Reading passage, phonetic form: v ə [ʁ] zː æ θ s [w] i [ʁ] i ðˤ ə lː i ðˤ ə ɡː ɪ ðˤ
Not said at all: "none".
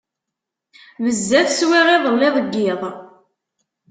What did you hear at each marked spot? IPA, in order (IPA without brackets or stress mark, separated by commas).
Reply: none, w, ʁ